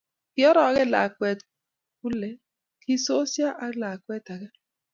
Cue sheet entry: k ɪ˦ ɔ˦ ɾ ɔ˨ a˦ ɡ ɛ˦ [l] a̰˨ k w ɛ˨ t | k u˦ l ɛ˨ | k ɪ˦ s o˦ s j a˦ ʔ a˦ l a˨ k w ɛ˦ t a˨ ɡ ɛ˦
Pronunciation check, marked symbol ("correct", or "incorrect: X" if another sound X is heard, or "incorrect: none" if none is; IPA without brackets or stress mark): correct